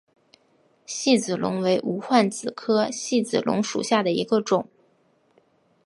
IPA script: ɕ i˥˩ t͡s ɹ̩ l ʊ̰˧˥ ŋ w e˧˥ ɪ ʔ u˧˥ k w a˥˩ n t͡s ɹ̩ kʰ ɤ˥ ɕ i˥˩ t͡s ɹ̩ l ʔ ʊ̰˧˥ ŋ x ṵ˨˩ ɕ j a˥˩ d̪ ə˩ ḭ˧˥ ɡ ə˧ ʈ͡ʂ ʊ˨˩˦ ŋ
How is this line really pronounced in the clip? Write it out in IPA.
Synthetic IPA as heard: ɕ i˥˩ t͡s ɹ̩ l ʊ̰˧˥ ŋ w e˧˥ ɪ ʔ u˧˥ x w a˥˩ n t͡s ɹ̩ kʰ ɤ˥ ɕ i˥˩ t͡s ɹ̩ l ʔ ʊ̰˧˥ ŋ ʂ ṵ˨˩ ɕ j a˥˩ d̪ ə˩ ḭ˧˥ ɡ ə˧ ʈ͡ʂ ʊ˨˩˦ ŋ